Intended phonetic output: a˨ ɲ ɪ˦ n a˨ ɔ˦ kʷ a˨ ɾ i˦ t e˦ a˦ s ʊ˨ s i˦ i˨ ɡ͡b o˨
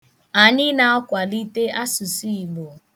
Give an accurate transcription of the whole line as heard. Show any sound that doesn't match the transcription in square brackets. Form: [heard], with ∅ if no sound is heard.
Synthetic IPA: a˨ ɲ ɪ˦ n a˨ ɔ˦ kʷ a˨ [l] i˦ t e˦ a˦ s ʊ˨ s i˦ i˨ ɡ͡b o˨